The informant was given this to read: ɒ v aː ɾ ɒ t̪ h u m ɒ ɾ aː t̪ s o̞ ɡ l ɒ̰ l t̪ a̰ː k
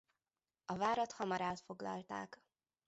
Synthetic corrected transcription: ɒ v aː ɾ ɒ t̪ h ɒ m ɒ ɾ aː t̪ f o̞ ɡ l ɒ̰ l t̪ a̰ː k